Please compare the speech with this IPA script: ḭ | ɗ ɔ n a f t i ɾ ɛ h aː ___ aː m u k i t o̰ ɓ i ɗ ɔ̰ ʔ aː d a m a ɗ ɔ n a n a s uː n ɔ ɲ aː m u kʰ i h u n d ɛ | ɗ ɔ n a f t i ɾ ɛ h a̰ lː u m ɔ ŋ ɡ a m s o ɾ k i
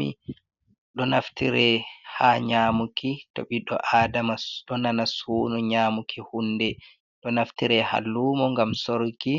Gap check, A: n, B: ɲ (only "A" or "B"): B